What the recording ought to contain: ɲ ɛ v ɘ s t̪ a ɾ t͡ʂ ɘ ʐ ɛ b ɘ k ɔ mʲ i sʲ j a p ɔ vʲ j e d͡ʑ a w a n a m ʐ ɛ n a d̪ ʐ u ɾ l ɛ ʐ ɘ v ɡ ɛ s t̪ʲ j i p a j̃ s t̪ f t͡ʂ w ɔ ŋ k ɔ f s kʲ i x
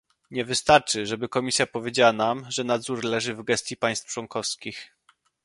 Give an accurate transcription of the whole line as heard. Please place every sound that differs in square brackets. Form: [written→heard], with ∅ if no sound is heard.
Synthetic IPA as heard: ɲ ɛ v ɘ s t̪ a ɾ t͡ʂ ɘ ʐ ɛ b ɘ k ɔ mʲ i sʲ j a p ɔ vʲ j e d͡ʑ a w a n a m ʐ ɛ n a d̪ [ʐ→z] u ɾ l ɛ ʐ ɘ v ɡ ɛ s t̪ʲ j i p a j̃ s t̪ f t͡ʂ w ɔ ŋ k ɔ f s kʲ i x